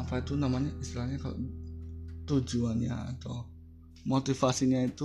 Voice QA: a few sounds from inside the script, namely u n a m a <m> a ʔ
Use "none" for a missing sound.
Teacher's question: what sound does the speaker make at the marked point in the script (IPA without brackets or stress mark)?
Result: ɲ